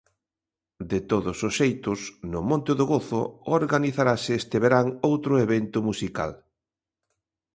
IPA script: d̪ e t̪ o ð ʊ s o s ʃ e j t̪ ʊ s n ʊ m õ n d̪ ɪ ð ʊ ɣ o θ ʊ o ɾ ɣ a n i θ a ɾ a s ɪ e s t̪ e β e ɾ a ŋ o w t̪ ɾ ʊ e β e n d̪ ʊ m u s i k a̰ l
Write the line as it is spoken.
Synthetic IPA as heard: d̪ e t̪ o ð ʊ s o s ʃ e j t̪ ʊ s n ʊ m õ n t̪ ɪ ð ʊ ɣ o θ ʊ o ɾ ɣ a n i θ a ɾ a s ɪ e s t̪ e β e ɾ a ŋ o w t̪ ɾ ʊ e β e n t̪ ʊ m u s i k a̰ l